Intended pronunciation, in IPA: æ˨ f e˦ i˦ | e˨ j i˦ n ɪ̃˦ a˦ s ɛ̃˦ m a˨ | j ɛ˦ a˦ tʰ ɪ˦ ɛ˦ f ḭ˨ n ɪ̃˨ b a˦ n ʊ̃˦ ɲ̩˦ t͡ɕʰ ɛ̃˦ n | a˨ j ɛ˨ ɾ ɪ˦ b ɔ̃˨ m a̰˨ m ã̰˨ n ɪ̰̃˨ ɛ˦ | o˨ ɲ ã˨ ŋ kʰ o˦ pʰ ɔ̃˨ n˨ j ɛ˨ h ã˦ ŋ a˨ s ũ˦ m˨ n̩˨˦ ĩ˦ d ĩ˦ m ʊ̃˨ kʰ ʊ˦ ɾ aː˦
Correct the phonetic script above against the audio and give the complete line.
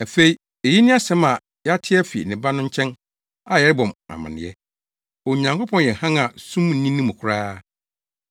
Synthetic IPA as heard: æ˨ f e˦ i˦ | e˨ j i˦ n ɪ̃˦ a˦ s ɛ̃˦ m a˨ | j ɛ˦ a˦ tʰ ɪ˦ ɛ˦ f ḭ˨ n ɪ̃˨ b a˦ n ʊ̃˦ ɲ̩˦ t͡ɕʰ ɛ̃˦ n | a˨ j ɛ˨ ɾ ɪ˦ b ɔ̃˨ m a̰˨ m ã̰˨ n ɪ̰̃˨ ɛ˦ | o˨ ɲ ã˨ ŋ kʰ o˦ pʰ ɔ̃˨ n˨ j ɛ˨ h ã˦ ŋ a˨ s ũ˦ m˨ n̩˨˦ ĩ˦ n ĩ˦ m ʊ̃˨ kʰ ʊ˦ ɾ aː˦